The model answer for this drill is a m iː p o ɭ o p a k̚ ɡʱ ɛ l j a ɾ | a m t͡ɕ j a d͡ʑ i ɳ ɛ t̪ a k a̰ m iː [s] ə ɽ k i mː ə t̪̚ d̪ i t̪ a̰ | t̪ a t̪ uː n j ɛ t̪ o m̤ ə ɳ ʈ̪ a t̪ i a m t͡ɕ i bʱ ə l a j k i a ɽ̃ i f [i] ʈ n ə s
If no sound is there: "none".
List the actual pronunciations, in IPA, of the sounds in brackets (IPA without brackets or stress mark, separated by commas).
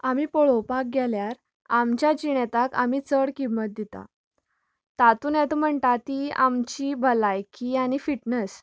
t͡s, i